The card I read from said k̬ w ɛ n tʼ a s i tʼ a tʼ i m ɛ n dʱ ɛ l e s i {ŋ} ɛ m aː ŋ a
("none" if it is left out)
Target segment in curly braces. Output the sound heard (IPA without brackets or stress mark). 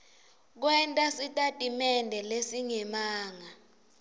ŋ